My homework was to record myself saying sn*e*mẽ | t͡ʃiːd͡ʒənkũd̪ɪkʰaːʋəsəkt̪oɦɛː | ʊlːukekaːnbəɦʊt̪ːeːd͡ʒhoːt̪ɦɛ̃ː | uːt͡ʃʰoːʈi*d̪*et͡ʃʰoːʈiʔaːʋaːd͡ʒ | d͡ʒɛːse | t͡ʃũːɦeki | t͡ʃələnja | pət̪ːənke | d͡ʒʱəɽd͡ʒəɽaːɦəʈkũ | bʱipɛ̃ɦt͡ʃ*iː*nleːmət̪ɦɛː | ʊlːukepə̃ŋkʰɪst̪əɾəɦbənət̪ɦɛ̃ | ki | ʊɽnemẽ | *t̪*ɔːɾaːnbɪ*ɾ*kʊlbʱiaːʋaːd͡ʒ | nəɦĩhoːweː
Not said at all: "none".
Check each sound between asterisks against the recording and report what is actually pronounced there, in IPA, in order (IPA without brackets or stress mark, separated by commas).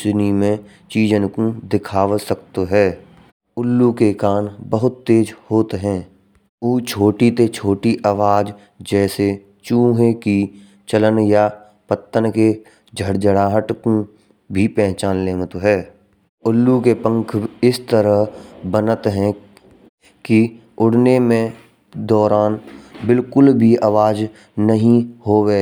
i, t̪, aː, d̪, l